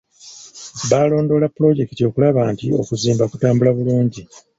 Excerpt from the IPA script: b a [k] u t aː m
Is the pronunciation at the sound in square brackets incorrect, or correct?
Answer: correct